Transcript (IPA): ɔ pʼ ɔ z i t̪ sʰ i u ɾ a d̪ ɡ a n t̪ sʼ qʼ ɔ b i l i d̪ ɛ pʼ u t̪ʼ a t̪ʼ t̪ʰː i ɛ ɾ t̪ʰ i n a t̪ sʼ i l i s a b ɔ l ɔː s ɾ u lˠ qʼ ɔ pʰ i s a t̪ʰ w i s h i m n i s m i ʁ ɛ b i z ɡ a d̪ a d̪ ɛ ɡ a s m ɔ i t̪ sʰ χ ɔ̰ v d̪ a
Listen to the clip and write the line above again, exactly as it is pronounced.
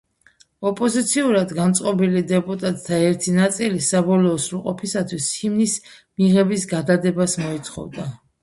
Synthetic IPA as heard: ɔ pʼ ɔ z i t̪ sʰ i u ɾ a d̪ ɡ a n t̪ sʼ qʼ ɔ b i l i d̪ ɛ pʼ u t̪ʼ a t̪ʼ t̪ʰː a ɛ ɾ t̪ʰ i n a t̪ sʼ i l i s a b ɔ l ɔː s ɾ u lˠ qʼ ɔ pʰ i s a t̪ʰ w i s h i m n i s m i ʁ ɛ b i s ɡ a d̪ a d̪ ɛ b a s m ɔ i t̪ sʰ χ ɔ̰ v d̪ a